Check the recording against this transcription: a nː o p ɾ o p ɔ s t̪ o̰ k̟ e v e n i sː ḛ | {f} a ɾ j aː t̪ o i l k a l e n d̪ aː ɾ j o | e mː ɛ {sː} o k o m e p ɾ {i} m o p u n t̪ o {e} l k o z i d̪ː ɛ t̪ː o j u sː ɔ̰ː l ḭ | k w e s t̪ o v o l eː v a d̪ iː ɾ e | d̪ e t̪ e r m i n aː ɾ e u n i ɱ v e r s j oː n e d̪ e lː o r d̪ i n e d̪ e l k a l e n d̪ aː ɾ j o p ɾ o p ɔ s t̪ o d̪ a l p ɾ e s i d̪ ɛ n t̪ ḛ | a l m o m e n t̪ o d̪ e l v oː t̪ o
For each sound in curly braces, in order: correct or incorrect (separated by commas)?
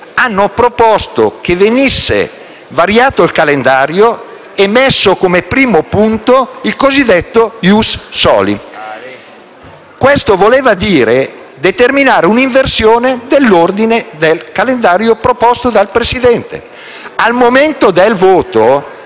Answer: incorrect, correct, incorrect, incorrect